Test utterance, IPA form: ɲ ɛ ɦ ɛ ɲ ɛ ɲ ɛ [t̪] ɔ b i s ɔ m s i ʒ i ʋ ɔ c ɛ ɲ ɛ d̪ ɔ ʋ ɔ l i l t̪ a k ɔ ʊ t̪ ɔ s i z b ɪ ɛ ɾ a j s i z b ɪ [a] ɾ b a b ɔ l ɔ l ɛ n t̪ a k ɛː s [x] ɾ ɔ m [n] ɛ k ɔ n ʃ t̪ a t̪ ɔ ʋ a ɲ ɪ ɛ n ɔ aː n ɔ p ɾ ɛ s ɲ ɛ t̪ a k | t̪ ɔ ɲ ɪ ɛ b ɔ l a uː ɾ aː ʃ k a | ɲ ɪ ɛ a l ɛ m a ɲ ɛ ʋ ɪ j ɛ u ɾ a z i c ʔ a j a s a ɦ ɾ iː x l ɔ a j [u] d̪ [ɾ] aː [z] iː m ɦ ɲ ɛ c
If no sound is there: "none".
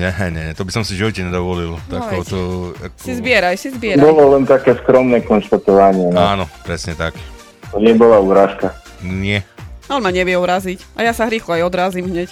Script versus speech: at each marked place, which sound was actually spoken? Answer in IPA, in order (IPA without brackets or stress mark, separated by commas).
t̪, ɛ, k, n, ɔ, ɾ, z